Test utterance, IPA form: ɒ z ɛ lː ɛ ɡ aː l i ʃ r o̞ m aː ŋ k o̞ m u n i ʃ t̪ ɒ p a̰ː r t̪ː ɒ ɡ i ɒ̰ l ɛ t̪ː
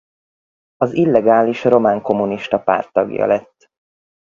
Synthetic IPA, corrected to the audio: ɒ z i lː ɛ ɡ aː l i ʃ r o̞ m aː ŋ k o̞ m u n i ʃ t̪ ɒ p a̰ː r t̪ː ɒ ɡ j ɒ̰ l ɛ t̪ː